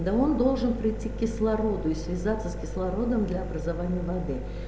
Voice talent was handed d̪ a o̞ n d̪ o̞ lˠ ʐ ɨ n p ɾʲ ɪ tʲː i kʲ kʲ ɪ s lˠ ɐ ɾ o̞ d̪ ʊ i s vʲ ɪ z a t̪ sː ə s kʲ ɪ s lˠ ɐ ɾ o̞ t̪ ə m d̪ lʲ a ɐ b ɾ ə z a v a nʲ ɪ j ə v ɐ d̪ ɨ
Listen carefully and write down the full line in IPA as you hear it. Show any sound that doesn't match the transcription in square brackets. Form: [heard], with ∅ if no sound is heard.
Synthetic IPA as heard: d̪ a o̞ n d̪ o̞ lˠ ʐ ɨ n p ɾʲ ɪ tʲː i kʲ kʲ ɪ s lˠ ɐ ɾ o̞ d̪ ʊ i s vʲ ɪ z a t̪ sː ə s kʲ ɪ s lˠ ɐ ɾ o̞ [d̪] ə m d̪ lʲ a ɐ b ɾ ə z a v a nʲ ɪ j ə v ɐ d̪ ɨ